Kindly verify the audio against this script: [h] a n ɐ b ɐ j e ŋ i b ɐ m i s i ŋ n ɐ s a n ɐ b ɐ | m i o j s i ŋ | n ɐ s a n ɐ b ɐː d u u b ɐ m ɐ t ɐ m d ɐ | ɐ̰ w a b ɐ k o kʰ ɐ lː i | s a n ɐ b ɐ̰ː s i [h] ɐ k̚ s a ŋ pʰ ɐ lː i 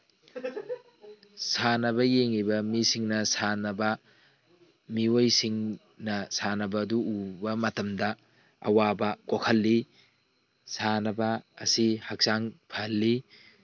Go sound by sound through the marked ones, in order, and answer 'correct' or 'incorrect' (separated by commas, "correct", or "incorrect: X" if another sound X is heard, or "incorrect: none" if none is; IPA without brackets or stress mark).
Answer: incorrect: s, correct